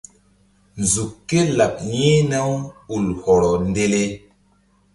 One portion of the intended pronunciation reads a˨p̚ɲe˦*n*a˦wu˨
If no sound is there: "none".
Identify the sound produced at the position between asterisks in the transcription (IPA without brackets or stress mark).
n